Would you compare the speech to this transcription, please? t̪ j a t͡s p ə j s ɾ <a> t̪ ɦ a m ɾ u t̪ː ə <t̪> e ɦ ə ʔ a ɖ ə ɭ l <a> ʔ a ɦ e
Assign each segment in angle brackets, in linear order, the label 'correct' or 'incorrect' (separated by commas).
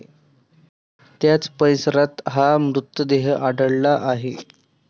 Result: correct, incorrect, correct